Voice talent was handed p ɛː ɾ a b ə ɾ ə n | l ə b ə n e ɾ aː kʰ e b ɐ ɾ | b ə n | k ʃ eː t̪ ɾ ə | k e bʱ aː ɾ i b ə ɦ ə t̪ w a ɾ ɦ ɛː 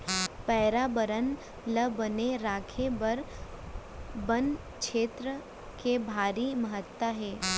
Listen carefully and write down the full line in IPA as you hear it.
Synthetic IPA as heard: p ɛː ɾ a b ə ɾ ə n | l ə b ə n e ɾ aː kʰ e b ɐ ɾ | b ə n | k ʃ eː t̪ ɾ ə | k e bʱ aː ɾ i m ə ɦ ə t̪ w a ɦ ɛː

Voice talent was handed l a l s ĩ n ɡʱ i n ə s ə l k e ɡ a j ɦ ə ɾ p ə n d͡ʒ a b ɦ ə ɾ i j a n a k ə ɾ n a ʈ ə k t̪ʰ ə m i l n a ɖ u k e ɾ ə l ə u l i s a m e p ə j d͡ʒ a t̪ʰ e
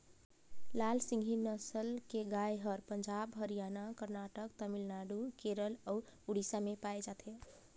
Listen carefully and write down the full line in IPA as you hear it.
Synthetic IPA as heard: l a l s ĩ ŋ ɡʱ i n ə s ə l k e ɡ a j ɦ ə ɾ p ə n d͡ʒ a b ɦ ə ɾ i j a n a k ə ɾ n a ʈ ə k t̪ ə m i l n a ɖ u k e ɾ ə l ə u ɽ i s a m e p a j d͡ʒ a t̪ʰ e

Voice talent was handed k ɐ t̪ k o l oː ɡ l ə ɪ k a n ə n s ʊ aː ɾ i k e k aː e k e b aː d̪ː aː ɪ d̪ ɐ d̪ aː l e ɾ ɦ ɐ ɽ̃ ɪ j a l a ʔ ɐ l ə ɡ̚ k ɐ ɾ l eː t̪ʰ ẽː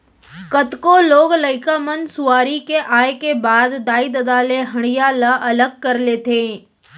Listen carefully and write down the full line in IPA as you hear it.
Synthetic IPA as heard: k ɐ t̪ k o l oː ɡ l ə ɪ k a m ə n s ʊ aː ɾ i k e ʔ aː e k e b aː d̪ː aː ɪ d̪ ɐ d̪ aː l e ɦ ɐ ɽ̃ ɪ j a l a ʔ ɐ l ə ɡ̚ k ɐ ɾ l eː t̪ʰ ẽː

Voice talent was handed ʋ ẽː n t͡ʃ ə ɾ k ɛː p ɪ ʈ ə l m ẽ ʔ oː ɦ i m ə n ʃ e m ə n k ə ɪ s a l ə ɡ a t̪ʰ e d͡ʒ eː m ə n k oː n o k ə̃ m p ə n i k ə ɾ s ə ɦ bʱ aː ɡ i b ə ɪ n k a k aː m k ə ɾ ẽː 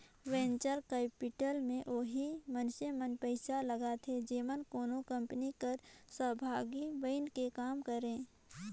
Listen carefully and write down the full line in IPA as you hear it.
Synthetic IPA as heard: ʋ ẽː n t͡ʃ ə ɾ k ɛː p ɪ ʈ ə l m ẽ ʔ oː ɦ i m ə n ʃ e m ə n p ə ɪ s a l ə ɡ a t̪ʰ e d͡ʒ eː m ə n k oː n o k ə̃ m p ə n i k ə ɾ s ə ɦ bʱ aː ɡ i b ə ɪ n k e k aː m k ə ɾ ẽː

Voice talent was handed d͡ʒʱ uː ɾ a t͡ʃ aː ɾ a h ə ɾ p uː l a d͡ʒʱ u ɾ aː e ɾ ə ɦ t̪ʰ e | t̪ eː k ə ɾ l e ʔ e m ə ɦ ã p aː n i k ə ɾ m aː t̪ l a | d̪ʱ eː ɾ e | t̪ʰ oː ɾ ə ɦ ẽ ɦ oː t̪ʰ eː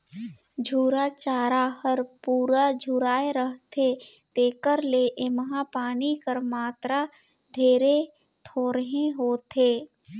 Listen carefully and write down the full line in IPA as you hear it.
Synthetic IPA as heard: d͡ʒʱ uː ɾ a t͡ʃ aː ɾ a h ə ɾ p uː ɾ a d͡ʒʱ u ɾ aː e ɾ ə ɦ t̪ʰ e | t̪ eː k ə ɾ l e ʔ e m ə ɦ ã p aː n i k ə ɾ m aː t̪ ɾ a | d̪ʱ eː ɾ e | t̪ʰ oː ɾ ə ɦ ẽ ɦ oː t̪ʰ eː

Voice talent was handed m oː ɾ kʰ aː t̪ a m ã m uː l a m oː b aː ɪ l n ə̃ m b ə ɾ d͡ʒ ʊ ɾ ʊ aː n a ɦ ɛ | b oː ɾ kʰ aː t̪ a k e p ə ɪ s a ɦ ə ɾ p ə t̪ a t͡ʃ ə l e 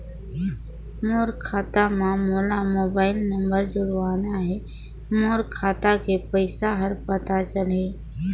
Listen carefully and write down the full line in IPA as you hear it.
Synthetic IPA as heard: m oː ɾ kʰ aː t̪ a m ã m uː l a m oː b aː ɪ l n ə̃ m b ə ɾ d͡ʒ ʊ ɾ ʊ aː n a ɦ ɛ | m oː ɾ kʰ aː t̪ a k e p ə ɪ s a ɦ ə ɾ p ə t̪ a t͡ʃ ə l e

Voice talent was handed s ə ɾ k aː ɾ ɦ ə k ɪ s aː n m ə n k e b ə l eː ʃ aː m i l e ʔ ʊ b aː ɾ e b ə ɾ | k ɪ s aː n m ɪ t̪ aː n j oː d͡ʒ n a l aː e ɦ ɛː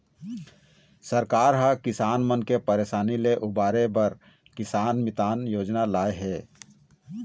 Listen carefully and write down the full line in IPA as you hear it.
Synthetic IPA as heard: s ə ɾ k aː ɾ ɦ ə k ɪ s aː n m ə n k e p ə ɾ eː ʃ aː n i l e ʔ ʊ b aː ɾ e b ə ɾ | k ɪ s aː n m ɪ t̪ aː n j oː d͡ʒ n a l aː e ɦ ɛː

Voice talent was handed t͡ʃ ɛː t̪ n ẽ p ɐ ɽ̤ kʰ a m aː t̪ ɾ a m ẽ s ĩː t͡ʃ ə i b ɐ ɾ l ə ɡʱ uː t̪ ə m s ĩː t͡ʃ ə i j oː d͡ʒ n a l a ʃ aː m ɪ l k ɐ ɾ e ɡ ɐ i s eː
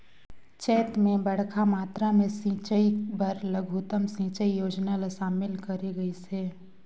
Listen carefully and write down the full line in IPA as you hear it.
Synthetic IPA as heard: t͡ʃ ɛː t̪ m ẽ b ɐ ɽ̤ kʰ a m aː t̪ ɾ a m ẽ s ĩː t͡ʃ ə i b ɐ ɾ l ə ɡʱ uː t̪ ə m s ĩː t͡ʃ ə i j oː d͡ʒ n a l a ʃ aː m ɪ l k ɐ ɾ e ɡ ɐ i s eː

